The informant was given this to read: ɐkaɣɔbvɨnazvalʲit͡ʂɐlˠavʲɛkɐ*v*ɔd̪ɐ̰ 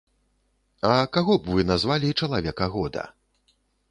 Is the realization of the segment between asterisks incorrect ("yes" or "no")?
yes